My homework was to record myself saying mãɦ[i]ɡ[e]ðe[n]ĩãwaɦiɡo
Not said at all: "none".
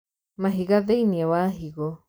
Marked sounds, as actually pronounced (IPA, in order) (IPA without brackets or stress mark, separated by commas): i, a, n